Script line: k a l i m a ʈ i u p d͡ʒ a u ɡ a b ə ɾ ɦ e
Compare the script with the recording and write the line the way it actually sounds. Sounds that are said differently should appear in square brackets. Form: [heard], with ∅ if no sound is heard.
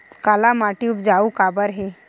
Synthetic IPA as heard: k a l [a] m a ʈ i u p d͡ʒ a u [k] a b ə ɾ ɦ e